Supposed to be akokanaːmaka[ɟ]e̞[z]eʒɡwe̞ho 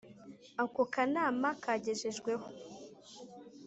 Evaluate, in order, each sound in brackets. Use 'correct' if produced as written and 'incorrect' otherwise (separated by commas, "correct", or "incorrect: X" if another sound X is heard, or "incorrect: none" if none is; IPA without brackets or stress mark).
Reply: correct, incorrect: ʒ